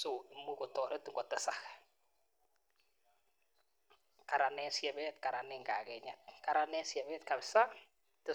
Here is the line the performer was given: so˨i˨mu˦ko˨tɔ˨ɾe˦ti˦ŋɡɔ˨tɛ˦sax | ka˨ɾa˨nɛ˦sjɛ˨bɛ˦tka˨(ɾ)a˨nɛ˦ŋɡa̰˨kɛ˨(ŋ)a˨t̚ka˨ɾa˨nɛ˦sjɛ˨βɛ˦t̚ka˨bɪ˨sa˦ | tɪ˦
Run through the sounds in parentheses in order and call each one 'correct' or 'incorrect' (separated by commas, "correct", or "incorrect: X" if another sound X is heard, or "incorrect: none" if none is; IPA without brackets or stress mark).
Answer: correct, incorrect: ɲ